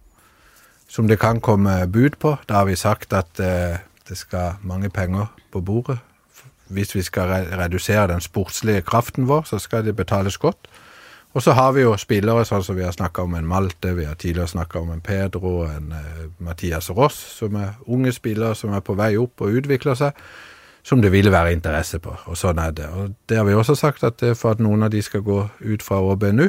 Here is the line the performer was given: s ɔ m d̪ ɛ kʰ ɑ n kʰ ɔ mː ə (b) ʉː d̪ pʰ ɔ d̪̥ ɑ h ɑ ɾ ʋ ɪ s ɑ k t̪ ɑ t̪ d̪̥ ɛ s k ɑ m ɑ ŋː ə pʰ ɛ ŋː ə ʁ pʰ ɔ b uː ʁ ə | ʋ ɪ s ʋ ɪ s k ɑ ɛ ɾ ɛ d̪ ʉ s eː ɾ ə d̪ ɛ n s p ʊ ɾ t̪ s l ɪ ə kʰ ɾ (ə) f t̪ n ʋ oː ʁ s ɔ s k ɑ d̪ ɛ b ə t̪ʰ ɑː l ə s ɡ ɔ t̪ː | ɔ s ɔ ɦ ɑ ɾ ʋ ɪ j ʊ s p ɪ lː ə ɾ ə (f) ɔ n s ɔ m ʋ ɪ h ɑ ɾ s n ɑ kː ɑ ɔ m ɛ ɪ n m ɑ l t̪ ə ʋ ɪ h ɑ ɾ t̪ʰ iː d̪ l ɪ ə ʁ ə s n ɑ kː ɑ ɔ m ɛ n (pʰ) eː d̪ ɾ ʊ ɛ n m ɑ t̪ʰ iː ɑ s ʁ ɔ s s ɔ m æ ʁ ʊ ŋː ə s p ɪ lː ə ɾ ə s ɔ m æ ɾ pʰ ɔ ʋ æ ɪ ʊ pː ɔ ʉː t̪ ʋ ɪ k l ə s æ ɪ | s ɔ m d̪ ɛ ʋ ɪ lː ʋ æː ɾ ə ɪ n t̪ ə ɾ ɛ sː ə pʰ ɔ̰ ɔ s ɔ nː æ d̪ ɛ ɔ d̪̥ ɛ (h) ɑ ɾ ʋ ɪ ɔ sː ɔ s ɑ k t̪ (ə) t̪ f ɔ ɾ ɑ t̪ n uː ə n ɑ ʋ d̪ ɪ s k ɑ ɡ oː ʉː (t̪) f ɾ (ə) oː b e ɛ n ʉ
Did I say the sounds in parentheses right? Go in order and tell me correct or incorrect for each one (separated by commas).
correct, incorrect, incorrect, correct, correct, incorrect, correct, incorrect